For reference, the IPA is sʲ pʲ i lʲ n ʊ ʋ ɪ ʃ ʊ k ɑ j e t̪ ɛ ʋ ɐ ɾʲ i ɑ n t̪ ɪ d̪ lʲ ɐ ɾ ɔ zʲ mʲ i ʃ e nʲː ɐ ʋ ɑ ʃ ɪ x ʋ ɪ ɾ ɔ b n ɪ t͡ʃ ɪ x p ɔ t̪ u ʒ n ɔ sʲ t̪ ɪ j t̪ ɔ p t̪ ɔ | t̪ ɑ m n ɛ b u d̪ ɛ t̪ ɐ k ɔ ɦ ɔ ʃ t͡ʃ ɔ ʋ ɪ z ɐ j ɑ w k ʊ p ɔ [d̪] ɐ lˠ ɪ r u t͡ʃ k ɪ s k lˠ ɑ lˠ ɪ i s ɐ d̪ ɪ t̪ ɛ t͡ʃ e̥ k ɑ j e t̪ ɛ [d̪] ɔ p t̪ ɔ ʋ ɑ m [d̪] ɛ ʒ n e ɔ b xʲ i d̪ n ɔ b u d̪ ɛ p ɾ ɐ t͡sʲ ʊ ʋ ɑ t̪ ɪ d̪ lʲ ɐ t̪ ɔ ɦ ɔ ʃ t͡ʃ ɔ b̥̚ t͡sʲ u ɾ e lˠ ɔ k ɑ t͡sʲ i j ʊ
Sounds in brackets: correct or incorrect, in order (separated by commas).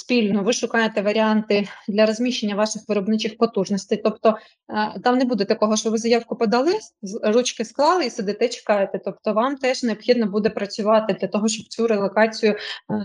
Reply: correct, incorrect, incorrect